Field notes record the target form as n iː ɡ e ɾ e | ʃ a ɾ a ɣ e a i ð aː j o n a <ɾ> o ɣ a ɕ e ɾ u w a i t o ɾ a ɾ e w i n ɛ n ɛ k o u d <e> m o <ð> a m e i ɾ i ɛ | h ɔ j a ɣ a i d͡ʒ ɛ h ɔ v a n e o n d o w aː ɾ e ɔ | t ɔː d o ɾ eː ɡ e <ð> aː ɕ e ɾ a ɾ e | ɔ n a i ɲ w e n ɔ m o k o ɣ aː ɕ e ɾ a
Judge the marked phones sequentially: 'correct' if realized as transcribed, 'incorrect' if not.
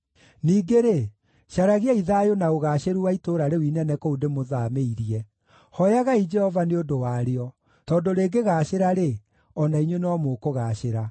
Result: incorrect, correct, correct, incorrect

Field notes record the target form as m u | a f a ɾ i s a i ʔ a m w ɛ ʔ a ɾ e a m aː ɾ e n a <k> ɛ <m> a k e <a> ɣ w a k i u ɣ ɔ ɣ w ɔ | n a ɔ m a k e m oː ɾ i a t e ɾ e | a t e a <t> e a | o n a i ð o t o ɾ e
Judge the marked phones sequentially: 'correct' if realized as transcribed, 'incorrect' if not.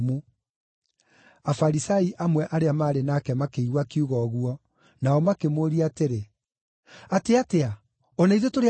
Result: correct, correct, incorrect, correct

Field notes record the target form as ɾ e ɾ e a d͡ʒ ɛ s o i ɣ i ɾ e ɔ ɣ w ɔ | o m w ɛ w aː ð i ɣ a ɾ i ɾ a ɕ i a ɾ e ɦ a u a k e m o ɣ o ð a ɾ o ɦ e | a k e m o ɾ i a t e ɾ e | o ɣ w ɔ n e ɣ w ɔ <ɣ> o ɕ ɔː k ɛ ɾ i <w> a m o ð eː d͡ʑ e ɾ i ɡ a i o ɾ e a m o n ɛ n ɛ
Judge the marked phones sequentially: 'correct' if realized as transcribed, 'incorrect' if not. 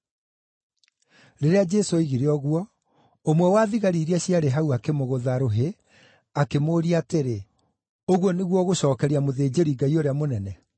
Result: correct, incorrect

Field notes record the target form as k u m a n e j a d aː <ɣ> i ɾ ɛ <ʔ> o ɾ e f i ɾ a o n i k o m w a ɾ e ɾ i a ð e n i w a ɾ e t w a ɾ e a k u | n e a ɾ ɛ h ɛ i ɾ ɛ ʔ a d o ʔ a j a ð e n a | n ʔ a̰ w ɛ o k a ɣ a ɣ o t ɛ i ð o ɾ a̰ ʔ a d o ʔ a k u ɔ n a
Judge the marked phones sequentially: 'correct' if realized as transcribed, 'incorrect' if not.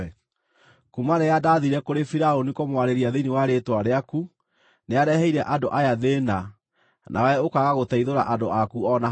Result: incorrect, incorrect

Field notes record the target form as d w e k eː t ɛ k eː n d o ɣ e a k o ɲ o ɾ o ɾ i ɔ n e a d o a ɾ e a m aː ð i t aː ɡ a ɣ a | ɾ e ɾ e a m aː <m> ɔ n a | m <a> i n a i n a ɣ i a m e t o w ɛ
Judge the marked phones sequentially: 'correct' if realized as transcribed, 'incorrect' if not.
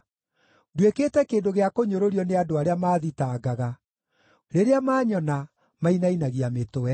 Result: incorrect, correct

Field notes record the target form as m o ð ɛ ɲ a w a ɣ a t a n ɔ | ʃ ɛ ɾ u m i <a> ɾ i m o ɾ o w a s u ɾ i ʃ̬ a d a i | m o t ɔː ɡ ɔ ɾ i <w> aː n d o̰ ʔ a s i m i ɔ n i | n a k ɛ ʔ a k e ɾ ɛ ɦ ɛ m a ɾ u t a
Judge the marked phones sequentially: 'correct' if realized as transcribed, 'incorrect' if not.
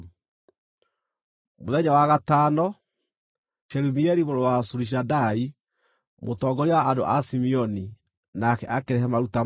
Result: incorrect, correct

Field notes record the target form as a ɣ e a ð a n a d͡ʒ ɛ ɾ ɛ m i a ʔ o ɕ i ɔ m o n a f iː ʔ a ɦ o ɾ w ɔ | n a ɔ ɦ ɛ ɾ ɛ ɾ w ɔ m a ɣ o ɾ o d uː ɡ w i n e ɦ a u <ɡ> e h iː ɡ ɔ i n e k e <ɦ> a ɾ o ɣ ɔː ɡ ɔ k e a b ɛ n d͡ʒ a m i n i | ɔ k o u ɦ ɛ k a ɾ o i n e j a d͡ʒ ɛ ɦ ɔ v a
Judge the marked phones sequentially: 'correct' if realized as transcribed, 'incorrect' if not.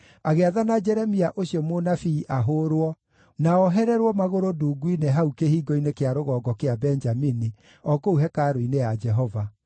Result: incorrect, incorrect

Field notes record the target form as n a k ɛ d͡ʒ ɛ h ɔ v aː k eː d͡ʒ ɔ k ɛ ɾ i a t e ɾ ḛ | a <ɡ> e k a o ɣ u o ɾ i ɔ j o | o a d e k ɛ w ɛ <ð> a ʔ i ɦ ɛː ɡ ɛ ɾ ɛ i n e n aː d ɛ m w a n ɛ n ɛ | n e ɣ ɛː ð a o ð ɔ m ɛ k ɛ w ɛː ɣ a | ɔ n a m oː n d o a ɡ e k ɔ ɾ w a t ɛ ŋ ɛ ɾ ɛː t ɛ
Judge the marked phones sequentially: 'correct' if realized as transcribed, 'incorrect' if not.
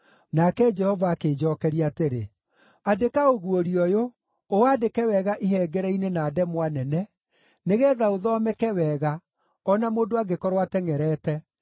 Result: incorrect, incorrect

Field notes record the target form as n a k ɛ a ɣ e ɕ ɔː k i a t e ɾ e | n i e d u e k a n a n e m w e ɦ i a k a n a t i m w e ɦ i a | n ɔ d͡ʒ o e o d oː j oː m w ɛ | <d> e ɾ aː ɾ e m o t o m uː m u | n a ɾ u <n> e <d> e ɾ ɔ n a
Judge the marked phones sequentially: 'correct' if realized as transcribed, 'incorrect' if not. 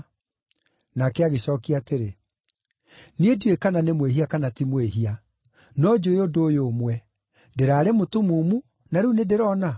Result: correct, correct, correct

